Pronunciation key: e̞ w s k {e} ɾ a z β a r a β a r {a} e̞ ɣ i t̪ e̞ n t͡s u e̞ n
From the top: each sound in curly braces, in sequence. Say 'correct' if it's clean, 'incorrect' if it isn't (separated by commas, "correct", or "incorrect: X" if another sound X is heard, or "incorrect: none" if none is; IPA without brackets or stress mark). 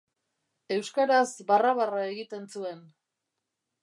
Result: incorrect: a, correct